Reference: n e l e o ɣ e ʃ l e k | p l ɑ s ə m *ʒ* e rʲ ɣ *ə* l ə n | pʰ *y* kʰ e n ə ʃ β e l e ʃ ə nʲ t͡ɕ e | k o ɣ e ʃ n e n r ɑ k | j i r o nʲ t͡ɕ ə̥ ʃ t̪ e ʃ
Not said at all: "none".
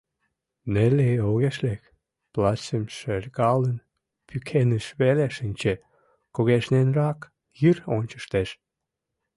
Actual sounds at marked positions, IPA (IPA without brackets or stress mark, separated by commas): ʃ, ɑ, y